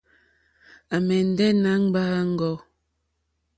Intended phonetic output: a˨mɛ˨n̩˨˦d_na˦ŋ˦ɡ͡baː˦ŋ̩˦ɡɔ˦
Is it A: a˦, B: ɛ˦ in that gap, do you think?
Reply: B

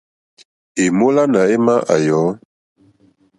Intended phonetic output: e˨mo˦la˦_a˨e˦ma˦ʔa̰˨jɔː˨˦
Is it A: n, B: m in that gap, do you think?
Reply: A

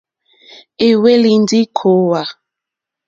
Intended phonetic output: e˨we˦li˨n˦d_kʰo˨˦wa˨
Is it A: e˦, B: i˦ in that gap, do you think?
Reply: B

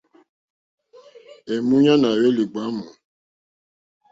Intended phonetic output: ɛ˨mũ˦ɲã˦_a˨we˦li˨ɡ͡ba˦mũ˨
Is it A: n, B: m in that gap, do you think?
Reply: A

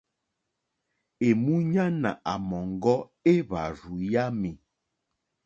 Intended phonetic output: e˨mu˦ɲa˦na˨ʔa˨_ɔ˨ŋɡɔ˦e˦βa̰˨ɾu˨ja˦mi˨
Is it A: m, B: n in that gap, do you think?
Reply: A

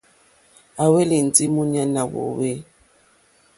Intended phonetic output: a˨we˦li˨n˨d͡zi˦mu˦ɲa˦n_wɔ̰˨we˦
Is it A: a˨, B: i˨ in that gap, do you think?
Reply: A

